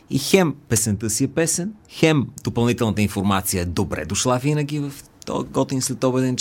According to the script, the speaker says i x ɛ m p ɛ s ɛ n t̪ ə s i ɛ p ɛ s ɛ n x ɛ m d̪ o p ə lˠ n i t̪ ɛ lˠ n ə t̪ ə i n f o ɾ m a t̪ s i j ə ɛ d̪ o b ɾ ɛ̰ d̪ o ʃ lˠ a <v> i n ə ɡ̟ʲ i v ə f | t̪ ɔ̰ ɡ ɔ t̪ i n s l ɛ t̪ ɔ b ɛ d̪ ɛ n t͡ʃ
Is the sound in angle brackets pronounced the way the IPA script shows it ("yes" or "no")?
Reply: yes